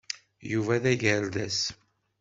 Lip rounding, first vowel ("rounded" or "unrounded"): rounded